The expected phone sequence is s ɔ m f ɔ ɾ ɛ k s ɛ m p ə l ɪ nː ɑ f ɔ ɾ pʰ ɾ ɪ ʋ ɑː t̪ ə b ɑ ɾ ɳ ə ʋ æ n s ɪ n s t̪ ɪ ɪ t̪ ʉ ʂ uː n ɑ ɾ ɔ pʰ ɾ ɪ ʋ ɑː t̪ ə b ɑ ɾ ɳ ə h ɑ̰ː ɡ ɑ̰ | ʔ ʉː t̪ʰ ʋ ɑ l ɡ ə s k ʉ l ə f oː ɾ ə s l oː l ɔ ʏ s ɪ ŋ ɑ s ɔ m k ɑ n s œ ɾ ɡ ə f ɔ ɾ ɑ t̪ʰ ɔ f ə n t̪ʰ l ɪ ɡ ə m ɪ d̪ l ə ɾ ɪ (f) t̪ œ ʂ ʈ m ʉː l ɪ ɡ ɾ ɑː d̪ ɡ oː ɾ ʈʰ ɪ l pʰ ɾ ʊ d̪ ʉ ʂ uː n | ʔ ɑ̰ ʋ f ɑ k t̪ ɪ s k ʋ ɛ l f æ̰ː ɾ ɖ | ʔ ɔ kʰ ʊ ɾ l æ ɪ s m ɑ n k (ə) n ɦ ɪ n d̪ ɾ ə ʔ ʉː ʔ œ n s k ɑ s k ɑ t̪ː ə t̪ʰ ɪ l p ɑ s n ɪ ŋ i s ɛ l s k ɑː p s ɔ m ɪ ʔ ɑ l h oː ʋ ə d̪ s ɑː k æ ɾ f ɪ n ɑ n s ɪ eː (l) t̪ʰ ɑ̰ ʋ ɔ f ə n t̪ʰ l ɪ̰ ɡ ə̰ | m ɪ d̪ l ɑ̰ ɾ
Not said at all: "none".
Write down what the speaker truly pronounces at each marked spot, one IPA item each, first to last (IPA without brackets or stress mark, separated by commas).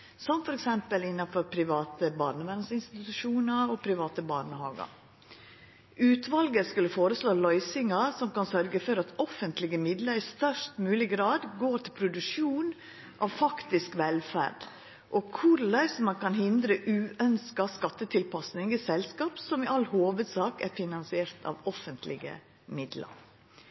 s, ɑ, ɾ